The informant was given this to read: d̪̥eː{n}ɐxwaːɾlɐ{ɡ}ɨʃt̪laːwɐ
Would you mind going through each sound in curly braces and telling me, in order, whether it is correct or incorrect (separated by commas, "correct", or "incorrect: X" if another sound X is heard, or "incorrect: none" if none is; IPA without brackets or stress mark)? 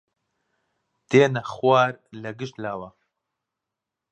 correct, correct